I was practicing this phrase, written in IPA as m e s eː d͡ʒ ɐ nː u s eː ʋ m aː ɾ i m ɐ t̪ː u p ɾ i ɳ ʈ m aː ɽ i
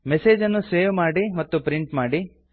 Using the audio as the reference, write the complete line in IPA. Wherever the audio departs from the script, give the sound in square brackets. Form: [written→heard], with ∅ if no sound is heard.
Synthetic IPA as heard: m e s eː d͡ʒ ɐ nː u s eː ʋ m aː [ɾ→ɽ] i m ɐ t̪ː u p ɾ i ɳ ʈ m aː ɽ i

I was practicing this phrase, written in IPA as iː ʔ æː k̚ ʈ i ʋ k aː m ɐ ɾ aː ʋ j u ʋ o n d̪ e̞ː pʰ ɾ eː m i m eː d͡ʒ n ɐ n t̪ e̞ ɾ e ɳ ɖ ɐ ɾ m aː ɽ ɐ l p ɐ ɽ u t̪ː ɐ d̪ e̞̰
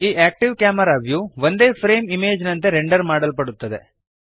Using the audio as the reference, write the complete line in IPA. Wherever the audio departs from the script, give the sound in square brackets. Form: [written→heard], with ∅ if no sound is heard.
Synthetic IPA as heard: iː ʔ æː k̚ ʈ i ʋ k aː m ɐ ɾ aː ʋ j u ʋ o n d̪ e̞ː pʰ ɾ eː m i m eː d͡ʒ n ɐ n t̪ e̞ ɾ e ɳ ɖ ɐ ɾ m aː ɽ ɐ l p ɐ ɽ u t̪ː ɐ d̪ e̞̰

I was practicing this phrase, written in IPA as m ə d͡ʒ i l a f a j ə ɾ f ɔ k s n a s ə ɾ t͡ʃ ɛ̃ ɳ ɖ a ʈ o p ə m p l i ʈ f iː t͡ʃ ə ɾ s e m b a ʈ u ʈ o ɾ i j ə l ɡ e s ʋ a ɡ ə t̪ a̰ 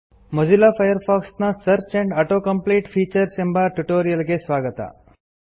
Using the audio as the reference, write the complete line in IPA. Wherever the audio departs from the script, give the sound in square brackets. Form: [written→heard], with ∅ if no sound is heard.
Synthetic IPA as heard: m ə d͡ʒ i l a f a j ə ɾ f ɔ k s n a s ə ɾ t͡ʃ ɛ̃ ɳ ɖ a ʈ o [p→k] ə m p l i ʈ f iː t͡ʃ ə ɾ s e m b a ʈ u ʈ o ɾ i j ə l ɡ e s ʋ a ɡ ə t̪ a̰

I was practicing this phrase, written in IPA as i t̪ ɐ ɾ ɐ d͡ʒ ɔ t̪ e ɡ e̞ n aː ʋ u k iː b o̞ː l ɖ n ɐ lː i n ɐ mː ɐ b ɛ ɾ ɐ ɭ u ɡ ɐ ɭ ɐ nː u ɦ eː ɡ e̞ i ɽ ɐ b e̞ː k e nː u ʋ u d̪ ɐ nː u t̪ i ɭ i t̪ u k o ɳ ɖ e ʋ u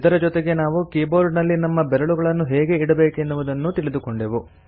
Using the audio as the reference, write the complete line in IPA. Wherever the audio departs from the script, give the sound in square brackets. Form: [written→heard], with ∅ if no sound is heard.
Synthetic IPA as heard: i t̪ ɐ ɾ ɐ d͡ʒ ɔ t̪ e ɡ e̞ n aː ʋ u k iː b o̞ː [l→ɾ] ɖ n ɐ lː i n ɐ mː ɐ b ɛ ɾ ɐ ɭ u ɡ ɐ ɭ ɐ nː u ɦ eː ɡ e̞ i ɽ ɐ b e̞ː k e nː u ʋ u d̪ ɐ nː u t̪ i ɭ i [t̪→d̪] u k o ɳ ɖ e ʋ u

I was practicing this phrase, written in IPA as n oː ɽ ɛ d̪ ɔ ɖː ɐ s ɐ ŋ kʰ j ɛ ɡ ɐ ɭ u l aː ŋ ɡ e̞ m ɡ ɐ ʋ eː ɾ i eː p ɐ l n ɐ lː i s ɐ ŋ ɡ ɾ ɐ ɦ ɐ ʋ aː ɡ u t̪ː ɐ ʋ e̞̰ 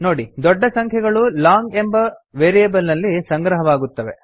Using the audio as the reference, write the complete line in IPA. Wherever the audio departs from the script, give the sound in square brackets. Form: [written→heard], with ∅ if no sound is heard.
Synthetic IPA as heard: n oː ɽ [ɛ→i] d̪ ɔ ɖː ɐ s ɐ ŋ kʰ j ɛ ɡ ɐ ɭ u l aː ŋ ɡ e̞ m [ɡ→b] ɐ ʋ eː ɾ i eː [p→b] ɐ l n ɐ lː i s ɐ ŋ ɡ ɾ ɐ ɦ ɐ ʋ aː ɡ u t̪ː ɐ ʋ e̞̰

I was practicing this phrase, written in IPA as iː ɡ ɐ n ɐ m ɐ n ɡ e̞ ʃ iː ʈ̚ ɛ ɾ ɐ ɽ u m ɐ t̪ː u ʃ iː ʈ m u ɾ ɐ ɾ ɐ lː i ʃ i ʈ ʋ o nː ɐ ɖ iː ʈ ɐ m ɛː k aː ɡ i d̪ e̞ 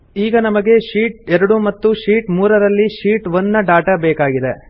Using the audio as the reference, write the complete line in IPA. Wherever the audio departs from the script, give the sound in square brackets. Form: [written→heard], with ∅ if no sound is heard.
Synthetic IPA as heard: iː ɡ ɐ n ɐ m ɐ [n→∅] ɡ e̞ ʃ iː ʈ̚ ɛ ɾ ɐ ɽ u m ɐ t̪ː u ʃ iː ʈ m [u→uː] ɾ ɐ ɾ ɐ lː i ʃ [i→iː] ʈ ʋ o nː ɐ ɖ [iː→aː] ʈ ɐ [m→b] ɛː k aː ɡ i d̪ e̞

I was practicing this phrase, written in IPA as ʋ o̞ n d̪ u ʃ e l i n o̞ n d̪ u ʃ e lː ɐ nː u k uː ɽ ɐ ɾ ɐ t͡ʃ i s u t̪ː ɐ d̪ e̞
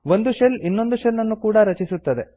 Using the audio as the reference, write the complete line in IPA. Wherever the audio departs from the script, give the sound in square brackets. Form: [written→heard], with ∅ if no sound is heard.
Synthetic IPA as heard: ʋ o̞ n d̪ u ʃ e l i [n→nː] o̞ n d̪ u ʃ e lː ɐ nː u k uː ɽ ɐ ɾ ɐ t͡ʃ i s u t̪ː ɐ d̪ e̞

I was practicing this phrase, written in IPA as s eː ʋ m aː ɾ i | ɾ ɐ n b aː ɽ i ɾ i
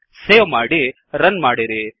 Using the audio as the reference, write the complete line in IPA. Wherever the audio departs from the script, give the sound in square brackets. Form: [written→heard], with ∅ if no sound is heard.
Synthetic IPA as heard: s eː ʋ m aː [ɾ→ɽ] i | ɾ ɐ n [b→m] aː ɽ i ɾ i

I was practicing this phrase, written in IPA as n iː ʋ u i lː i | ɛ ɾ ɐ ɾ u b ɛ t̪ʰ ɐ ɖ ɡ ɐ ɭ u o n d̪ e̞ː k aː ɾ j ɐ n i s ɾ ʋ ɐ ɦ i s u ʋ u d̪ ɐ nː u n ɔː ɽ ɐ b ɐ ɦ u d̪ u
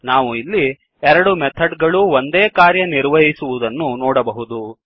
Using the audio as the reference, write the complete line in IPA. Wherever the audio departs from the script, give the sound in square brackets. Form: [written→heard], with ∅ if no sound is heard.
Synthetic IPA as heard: n [iː→aː] ʋ u i lː i | ɛ ɾ ɐ [ɾ→ɽ] u [b→m] ɛ t̪ʰ ɐ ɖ ɡ ɐ ɭ u o n d̪ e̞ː k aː ɾ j ɐ n i [s→∅] ɾ ʋ ɐ ɦ i s u ʋ u d̪ ɐ nː u n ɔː ɽ ɐ b ɐ ɦ u d̪ u

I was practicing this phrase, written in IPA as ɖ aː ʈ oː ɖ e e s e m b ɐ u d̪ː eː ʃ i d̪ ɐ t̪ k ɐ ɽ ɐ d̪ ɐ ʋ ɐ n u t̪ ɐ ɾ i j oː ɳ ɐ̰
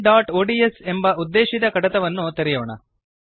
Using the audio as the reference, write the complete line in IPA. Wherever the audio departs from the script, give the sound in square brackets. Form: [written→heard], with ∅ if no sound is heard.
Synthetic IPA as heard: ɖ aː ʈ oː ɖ [e→i] e s e m b ɐ u d̪ː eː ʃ i d̪ ɐ [t̪→∅] k ɐ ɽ ɐ [d̪→t̪] ɐ ʋ ɐ [n→nː] u t̪ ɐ ɾ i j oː ɳ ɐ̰

